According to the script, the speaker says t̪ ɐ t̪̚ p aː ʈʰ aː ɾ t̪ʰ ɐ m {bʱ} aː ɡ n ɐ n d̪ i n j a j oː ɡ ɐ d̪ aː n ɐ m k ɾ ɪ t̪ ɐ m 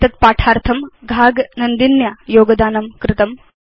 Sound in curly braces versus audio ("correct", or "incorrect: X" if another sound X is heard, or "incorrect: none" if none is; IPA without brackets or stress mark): incorrect: ɡʱ